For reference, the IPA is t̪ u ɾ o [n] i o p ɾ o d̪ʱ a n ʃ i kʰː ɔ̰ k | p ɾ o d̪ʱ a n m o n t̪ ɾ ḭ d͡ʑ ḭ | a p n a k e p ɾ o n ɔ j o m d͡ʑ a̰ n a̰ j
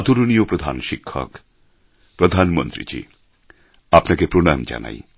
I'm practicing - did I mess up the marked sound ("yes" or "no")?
no